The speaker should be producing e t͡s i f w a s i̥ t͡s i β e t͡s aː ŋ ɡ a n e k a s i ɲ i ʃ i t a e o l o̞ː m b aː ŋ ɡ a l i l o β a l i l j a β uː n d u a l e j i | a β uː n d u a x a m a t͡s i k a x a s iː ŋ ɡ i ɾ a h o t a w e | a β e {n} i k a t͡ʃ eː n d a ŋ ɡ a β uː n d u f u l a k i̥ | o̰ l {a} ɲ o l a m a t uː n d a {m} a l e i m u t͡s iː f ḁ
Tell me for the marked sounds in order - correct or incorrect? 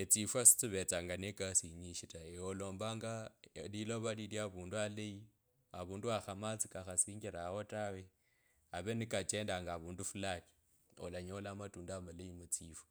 correct, correct, correct

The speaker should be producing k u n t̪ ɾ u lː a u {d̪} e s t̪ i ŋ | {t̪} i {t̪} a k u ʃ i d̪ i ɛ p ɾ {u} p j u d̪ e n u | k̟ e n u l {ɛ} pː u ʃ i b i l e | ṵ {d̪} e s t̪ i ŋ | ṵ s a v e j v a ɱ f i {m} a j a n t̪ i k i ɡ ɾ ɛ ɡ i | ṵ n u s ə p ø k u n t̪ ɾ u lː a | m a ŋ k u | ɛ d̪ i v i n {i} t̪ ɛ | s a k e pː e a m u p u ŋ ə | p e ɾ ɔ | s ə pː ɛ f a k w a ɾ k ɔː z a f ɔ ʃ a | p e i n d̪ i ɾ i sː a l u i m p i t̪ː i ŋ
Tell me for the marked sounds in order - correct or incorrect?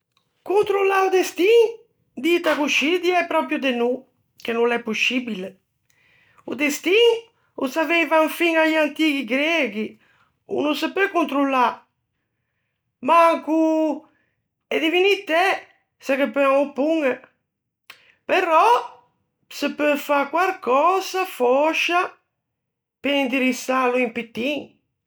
correct, incorrect, correct, incorrect, correct, correct, incorrect, correct

